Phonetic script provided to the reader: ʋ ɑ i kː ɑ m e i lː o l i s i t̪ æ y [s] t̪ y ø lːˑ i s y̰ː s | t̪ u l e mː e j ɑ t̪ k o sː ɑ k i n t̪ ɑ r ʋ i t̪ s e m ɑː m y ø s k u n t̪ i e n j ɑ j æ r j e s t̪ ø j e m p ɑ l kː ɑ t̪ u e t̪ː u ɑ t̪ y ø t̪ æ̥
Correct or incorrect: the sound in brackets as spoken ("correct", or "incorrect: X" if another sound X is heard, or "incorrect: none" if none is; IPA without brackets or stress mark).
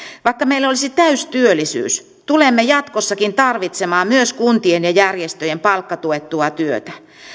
correct